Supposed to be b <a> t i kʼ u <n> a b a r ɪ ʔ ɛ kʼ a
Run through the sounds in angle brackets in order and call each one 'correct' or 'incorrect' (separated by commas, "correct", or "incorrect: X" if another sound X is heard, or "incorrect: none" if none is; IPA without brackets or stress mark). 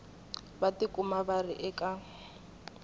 correct, incorrect: m